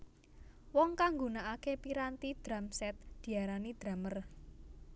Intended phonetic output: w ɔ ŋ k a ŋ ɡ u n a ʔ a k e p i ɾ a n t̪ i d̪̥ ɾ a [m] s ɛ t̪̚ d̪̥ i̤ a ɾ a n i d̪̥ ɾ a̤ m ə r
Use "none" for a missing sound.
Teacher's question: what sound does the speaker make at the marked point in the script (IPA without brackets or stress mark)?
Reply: m